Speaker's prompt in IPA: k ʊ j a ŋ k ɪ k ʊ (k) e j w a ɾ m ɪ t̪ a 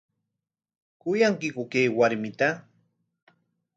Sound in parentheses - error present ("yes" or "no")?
no